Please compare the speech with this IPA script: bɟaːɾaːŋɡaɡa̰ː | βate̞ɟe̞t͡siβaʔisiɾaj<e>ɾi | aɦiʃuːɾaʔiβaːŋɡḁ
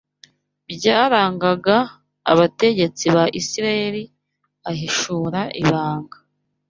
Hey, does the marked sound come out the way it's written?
yes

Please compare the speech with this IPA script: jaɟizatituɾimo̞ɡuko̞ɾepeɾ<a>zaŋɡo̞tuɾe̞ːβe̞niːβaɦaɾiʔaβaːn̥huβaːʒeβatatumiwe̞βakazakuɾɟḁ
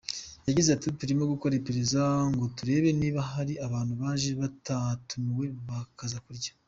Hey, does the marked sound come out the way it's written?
no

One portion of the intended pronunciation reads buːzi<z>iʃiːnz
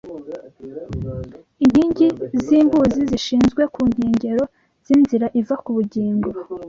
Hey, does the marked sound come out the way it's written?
yes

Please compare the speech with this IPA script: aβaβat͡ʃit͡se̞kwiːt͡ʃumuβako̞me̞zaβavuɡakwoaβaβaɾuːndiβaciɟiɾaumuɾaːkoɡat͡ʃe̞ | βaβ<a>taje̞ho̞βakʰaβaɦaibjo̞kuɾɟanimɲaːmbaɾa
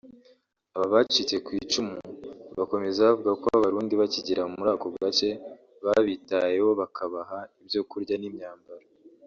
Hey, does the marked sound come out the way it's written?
no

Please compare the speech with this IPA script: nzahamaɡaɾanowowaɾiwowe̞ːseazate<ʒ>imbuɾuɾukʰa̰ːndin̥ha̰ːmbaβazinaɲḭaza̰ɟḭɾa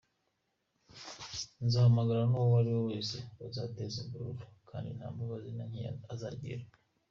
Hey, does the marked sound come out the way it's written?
no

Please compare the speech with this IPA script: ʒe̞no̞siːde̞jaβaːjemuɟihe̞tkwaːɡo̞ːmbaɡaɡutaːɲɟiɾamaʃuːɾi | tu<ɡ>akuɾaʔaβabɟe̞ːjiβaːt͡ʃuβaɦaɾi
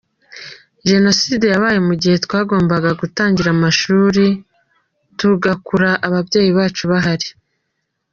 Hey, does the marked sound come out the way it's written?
yes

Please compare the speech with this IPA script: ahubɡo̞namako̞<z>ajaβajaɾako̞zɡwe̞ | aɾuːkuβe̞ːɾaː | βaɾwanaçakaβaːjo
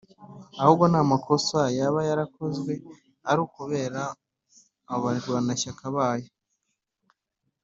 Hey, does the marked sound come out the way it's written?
no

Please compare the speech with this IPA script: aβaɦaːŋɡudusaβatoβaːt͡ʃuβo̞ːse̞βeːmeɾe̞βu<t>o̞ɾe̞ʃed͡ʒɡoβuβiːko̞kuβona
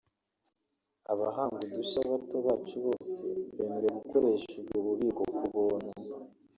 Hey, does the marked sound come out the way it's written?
no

